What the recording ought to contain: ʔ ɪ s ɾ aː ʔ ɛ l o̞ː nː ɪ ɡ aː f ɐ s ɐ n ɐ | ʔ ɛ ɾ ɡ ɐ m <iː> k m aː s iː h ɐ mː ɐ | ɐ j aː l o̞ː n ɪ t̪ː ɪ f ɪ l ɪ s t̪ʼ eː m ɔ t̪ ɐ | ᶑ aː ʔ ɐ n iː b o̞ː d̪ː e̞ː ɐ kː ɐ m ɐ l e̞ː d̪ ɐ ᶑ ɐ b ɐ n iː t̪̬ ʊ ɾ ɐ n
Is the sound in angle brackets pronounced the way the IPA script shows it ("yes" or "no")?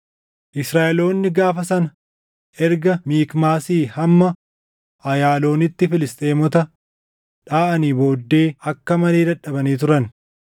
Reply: yes